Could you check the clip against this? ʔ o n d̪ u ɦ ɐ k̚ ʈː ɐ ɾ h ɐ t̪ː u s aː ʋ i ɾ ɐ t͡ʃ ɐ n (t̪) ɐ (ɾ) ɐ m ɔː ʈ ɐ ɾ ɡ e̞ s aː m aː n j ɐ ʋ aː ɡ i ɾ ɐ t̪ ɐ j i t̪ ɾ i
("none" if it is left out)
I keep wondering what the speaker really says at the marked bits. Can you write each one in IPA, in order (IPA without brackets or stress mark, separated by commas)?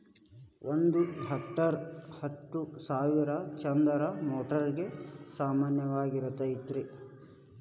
d̪, ɾ